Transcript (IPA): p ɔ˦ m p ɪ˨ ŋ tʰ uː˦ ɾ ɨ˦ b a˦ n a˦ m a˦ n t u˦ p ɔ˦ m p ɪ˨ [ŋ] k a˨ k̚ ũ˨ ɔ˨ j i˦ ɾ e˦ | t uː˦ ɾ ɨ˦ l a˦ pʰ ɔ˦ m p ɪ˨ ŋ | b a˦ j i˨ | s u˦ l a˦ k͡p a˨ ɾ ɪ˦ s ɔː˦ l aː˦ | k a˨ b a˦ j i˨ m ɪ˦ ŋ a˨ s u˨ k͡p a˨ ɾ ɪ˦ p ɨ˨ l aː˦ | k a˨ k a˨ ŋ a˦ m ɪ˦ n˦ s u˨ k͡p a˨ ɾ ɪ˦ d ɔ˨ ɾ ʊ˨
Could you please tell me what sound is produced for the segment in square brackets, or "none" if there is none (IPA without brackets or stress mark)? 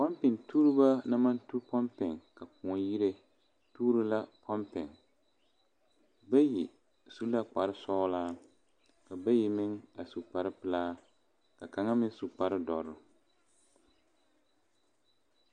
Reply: ŋ